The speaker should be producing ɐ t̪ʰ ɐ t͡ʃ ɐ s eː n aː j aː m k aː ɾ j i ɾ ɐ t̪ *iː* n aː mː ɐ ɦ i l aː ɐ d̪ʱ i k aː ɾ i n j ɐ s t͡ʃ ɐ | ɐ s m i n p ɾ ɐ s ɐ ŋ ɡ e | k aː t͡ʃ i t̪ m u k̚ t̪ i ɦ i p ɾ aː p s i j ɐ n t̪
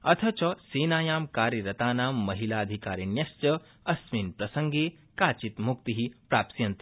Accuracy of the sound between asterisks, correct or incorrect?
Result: incorrect: aː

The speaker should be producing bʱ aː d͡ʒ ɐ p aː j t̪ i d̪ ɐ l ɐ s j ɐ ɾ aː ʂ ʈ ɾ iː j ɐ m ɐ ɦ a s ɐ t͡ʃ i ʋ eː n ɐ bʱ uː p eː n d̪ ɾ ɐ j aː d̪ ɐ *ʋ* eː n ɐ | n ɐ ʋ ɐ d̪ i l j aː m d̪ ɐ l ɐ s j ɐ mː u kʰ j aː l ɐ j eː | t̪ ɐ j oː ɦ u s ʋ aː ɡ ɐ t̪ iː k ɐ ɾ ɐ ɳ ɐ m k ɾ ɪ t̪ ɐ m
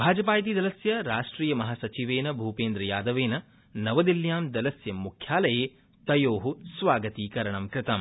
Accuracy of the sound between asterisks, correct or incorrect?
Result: correct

